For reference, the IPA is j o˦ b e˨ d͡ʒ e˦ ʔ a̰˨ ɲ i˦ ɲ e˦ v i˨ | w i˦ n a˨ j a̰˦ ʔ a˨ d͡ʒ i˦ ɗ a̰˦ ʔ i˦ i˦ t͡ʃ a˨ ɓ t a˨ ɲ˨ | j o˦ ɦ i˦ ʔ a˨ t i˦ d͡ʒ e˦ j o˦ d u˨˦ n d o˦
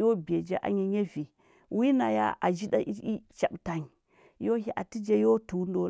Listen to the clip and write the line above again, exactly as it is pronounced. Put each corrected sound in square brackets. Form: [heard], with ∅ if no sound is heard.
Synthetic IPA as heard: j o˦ b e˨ d͡ʒ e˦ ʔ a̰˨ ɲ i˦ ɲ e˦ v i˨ | w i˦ n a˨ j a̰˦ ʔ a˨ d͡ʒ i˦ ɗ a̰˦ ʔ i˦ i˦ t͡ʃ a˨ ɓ t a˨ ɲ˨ | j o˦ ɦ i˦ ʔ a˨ t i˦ d͡ʒ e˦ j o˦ [t] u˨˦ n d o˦